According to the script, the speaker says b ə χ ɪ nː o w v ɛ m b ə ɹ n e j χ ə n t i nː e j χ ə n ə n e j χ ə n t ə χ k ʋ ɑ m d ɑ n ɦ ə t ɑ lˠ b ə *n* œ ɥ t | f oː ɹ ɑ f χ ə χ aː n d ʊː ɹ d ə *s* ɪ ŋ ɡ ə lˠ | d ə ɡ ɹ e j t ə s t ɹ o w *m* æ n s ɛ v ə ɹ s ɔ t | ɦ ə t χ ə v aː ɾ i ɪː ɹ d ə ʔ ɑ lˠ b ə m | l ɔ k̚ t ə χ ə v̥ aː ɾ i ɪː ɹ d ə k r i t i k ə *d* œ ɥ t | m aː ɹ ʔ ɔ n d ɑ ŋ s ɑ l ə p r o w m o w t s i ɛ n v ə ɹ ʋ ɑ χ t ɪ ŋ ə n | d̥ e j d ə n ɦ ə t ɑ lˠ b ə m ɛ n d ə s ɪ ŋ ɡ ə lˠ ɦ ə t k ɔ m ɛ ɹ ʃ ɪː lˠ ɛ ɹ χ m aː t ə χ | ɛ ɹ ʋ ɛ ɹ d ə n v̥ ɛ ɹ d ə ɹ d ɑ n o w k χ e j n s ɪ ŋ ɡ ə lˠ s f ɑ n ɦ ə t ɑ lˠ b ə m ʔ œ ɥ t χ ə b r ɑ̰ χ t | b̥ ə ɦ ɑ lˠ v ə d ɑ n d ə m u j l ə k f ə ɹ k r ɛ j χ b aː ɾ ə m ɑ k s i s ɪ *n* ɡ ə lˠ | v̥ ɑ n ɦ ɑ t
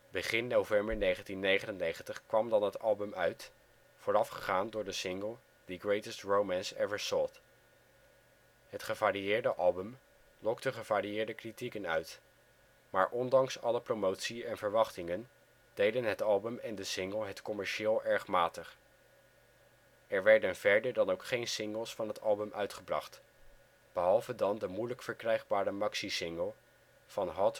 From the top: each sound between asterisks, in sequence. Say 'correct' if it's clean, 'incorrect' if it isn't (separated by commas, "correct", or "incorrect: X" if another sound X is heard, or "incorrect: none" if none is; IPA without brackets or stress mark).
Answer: incorrect: m, correct, correct, incorrect: n, incorrect: ŋ